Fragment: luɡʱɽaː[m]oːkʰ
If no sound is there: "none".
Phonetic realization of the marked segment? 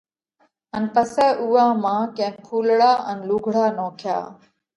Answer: n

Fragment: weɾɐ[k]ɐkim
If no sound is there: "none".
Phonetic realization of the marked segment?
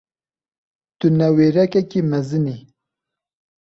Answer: k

